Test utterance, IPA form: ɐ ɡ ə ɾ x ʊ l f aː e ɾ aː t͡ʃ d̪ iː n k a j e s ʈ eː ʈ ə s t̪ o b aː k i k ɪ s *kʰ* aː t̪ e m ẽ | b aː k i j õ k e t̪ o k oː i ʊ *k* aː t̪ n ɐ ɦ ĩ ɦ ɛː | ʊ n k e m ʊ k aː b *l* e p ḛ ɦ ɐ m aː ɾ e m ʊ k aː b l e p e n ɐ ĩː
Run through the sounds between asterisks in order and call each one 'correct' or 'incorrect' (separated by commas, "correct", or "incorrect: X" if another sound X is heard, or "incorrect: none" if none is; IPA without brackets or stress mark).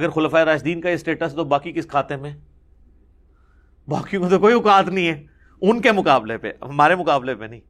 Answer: correct, correct, correct